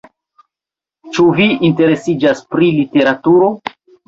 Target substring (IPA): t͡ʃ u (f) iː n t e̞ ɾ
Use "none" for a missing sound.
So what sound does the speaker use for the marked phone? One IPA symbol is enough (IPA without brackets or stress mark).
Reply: v